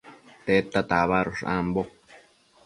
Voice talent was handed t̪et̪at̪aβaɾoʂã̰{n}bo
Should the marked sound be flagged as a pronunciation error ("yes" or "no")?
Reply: yes